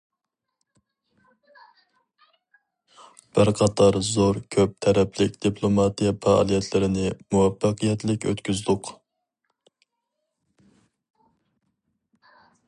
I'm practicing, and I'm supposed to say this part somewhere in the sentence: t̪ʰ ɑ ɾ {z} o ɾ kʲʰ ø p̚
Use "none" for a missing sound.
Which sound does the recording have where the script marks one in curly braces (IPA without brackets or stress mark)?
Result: z